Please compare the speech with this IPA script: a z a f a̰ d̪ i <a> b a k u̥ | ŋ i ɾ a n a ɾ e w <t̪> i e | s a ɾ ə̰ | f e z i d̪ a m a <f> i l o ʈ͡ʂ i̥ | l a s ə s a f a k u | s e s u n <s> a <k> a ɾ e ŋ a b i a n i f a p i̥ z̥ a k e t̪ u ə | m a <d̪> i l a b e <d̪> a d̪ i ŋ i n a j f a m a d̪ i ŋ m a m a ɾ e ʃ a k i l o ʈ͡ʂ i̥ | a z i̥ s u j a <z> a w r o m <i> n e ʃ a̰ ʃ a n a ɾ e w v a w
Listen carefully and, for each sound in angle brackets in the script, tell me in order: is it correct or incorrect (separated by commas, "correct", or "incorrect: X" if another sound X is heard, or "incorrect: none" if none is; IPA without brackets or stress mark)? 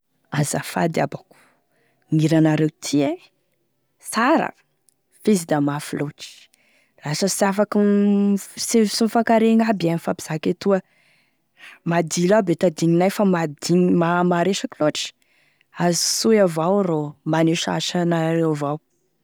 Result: correct, incorrect: t̪ʰ, correct, incorrect: f, correct, correct, incorrect: t̪, incorrect: v, incorrect: a